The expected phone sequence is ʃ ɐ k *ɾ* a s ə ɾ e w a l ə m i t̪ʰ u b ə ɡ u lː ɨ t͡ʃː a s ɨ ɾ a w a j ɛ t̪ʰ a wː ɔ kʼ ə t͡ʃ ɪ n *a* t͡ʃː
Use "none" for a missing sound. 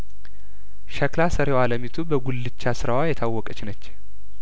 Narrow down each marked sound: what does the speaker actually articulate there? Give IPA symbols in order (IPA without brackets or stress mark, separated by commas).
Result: l, ə